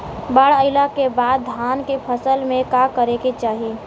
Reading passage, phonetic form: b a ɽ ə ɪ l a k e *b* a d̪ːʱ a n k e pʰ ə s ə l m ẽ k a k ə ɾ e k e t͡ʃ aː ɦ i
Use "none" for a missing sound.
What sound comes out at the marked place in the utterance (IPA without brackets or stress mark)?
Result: b